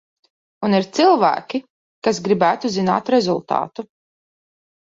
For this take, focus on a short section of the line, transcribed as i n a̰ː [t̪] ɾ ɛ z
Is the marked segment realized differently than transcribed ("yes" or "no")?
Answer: no